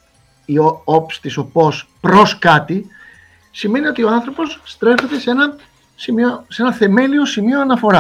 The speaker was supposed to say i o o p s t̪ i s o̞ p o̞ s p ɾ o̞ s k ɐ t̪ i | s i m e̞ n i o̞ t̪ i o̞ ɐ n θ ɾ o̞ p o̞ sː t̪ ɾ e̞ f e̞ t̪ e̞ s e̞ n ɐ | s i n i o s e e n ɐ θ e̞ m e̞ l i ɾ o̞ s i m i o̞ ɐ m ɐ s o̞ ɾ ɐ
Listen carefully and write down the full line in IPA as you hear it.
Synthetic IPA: i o o p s t̪ i s o̞ p o̞ s p ɾ o̞ s k ɐ t̪ i | s i m e̞ n i o̞ t̪ i o̞ ɐ n θ ɾ o̞ p o̞ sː t̪ ɾ e̞ f e̞ t̪ e̞ s e̞ n ɐ | s i m i o s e e n ɐ θ e̞ m e̞ l i o̞ s i m i o̞ ɐ n ɐ f o̞ ɾ ɐ